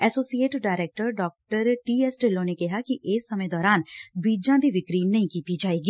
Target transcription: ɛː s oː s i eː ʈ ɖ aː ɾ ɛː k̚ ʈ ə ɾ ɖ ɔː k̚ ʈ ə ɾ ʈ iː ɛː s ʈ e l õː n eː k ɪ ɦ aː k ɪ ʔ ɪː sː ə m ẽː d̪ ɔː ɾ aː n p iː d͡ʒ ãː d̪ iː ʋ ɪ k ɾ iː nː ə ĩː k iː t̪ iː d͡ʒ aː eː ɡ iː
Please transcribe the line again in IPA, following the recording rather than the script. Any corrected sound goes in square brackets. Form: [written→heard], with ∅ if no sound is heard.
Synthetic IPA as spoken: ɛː s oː s i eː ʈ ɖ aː ɾ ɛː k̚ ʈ ə ɾ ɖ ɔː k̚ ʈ ə ɾ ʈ iː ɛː s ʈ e l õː n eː k ɪ ɦ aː k ɪ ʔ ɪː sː ə m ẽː d̪ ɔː ɾ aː n [p→b] iː d͡ʒ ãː d̪ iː ʋ ɪ k ɾ iː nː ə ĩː k iː t̪ iː d͡ʒ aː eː ɡ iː